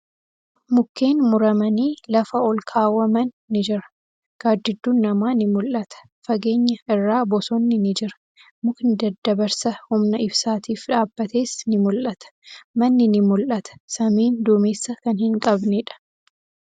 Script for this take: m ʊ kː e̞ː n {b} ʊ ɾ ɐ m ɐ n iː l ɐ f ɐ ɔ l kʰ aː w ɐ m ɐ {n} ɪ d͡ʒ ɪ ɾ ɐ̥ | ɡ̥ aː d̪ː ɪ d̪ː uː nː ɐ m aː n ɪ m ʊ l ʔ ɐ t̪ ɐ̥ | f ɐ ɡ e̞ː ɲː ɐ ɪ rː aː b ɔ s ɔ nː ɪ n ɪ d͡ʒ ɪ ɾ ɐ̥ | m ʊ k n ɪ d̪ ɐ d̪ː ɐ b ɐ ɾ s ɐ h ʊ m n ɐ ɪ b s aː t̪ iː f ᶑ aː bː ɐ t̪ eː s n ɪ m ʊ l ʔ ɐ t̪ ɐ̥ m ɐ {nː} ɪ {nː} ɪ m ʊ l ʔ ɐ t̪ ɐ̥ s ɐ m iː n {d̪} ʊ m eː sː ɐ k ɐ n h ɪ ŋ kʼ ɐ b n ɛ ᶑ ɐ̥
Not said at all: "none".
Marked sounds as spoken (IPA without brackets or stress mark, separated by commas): m, nː, nː, n, d̪